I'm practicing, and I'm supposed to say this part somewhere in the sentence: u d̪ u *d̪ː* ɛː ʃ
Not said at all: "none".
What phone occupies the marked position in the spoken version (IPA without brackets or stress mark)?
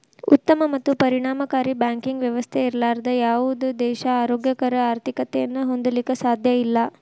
d̪